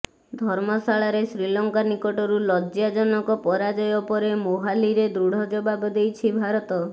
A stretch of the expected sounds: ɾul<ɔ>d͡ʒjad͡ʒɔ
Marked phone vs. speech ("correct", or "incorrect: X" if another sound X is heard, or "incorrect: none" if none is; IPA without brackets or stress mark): correct